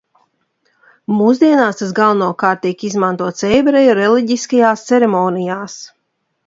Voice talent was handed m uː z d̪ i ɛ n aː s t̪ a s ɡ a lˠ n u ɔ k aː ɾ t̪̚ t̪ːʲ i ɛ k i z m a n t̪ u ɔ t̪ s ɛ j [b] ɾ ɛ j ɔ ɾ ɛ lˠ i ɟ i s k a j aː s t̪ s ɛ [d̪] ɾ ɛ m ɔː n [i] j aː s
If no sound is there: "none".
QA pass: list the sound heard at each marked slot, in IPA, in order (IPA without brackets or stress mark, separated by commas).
b, none, i